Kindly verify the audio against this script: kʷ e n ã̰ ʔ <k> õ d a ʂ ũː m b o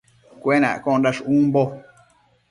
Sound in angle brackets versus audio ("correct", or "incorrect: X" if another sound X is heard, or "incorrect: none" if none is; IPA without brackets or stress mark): correct